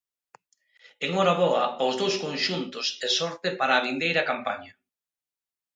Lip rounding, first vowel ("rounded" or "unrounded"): unrounded